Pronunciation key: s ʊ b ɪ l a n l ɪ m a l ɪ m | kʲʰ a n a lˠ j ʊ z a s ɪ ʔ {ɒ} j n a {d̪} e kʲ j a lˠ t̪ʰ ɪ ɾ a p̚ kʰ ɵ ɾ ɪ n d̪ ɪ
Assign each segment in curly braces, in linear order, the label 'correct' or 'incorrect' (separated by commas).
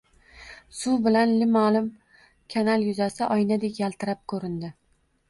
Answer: correct, correct